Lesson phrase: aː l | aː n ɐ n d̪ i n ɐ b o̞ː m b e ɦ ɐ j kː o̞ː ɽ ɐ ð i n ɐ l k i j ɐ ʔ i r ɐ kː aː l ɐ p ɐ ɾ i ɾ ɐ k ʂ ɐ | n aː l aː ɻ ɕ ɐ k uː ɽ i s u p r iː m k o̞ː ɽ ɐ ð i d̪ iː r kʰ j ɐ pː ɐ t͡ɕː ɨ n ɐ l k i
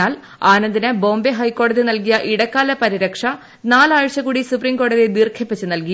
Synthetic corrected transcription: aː l | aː n ɐ n d̪ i n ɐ b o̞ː m b e ɦ ɐ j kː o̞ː ɽ ɐ ð i n ɐ l k i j ɐ ʔ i ɽ ɐ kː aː l ɐ p ɐ ɾ i ɾ ɐ k ʂ ɐ | n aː l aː ɻ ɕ ɐ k uː ɽ i s u p r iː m k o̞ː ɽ ɐ ð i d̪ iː r kʰ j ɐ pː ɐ t͡ɕː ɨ n ɐ l k i